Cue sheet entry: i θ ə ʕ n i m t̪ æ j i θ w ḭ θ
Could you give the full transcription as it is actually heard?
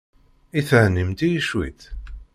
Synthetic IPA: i θ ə ʕ n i m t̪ i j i ʃ w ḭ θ